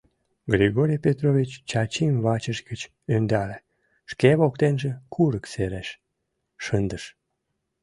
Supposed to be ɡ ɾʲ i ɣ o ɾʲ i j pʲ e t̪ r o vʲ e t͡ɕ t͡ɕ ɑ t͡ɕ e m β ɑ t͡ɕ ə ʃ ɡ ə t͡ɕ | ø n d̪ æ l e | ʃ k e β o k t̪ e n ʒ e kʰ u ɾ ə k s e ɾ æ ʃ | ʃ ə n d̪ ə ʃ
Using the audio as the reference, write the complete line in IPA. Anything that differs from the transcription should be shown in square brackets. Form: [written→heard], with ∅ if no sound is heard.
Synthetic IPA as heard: ɡ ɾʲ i ɣ o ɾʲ i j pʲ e t̪ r o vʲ [e→i] t͡ɕ t͡ɕ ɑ t͡ɕ [e→i] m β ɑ t͡ɕ ə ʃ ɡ ə t͡ɕ | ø n d̪ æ l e | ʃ k e β o k t̪ e n ʒ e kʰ u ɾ ə k s e ɾ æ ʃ | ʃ ə n d̪ ə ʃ